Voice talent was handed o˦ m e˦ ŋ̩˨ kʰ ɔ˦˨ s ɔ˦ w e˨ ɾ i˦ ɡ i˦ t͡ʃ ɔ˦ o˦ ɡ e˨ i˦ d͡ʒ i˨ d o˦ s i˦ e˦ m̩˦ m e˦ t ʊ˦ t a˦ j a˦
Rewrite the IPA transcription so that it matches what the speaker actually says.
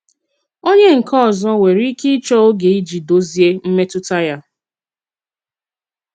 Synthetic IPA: o˦ ɲ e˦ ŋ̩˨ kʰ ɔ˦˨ z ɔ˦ w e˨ ɾ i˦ k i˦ t͡ʃ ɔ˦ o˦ ɡ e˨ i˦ d͡ʒ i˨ d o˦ z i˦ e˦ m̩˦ m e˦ t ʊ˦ t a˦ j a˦